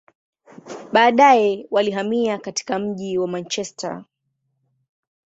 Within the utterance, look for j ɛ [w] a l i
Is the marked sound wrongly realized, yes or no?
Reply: no